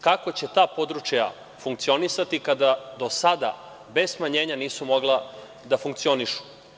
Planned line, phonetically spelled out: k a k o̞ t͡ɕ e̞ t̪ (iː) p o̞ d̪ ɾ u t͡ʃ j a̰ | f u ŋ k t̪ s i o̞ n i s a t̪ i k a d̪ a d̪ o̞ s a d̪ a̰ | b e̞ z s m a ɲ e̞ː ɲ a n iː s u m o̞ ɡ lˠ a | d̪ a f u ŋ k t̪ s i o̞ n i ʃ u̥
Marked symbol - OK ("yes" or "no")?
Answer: no